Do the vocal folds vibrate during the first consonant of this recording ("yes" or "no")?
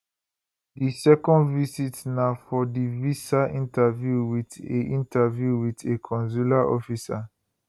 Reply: yes